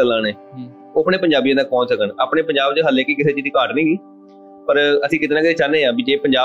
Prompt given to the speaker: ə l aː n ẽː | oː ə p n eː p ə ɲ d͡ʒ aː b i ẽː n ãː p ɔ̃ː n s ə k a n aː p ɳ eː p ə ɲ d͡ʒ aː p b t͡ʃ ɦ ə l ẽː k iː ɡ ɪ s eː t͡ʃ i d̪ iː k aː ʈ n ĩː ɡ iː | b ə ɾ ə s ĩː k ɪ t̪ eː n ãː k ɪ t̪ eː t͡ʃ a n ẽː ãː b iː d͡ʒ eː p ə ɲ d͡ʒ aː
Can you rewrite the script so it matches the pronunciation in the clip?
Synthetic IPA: ə l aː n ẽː | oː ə p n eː p ə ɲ d͡ʒ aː b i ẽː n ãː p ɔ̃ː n s ə k ə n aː p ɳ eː p ə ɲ d͡ʒ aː b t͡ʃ ɦ ə l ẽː k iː k ɪ s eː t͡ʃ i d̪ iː k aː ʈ n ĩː ɡ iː | p ə ɾ ə s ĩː k ɪ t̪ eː n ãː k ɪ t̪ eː t͡ʃ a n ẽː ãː b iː d͡ʒ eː p ə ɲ d͡ʒ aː